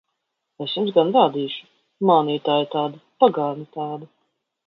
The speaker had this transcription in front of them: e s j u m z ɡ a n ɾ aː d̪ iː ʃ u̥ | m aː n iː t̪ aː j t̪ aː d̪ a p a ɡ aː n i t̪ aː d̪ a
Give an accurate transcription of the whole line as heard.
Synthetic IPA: e s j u m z ɡ a n ɾ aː d̪ iː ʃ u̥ | m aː n iː t̪ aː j t̪ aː d̪ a p a ɡ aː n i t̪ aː d̪ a